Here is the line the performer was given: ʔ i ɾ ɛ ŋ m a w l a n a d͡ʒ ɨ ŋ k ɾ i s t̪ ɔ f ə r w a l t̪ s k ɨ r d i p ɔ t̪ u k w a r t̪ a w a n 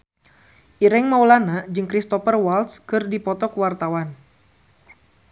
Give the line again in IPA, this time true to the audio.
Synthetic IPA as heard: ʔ i ɾ ɛ ŋ m a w l a n a d͡ʒ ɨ ŋ k ɾ i s t̪ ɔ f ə r w a l t̪ s k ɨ r d i p ɔ t̪ ɔ k w a r t̪ a w a n